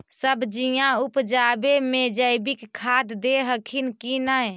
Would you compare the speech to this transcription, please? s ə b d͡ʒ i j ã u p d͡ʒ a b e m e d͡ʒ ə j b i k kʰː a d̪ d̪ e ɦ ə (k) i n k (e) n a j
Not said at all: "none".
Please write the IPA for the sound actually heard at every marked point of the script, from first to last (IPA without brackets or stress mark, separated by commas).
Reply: kʰ, i